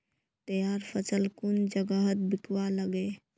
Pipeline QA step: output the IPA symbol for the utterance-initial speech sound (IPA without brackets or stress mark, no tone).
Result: t̪